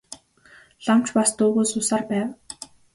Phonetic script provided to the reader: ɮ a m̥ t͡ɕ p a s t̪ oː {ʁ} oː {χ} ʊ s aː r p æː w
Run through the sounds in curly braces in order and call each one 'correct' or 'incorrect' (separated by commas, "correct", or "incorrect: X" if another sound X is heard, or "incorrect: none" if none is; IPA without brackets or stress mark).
incorrect: ɣ, incorrect: s